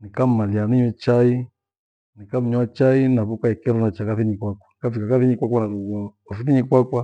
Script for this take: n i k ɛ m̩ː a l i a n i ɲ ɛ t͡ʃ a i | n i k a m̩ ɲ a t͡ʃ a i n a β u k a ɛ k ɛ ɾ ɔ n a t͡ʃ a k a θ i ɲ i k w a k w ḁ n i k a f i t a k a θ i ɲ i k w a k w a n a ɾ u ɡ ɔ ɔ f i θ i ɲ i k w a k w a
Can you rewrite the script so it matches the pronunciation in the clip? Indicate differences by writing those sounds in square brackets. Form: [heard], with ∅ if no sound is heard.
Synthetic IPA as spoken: n i k [a] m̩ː a l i a n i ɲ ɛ t͡ʃ a i | n i k a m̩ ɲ a t͡ʃ a i n a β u k a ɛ k ɛ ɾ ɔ n a t͡ʃ a k a θ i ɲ i k w a k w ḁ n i k a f i [k] a k a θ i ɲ i k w a k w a n a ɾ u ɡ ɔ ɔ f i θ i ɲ i k w a k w a